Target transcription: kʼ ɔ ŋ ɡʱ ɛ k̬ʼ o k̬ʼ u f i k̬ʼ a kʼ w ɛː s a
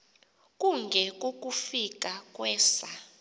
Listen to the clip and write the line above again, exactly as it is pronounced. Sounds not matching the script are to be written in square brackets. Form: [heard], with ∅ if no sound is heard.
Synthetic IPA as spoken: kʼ [u] ŋ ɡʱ ɛ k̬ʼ o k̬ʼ u f i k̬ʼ a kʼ w ɛː s a